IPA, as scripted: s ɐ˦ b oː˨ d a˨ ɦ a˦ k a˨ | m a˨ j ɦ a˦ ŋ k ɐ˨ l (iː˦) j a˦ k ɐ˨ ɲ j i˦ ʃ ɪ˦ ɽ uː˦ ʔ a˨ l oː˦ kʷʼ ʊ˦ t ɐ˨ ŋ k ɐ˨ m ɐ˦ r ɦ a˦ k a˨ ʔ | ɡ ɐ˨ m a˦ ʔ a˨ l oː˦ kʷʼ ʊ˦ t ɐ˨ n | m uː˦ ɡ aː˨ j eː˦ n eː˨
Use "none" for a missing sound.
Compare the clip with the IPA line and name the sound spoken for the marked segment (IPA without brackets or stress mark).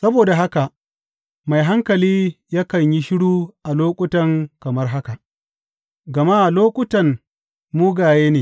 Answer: iː˦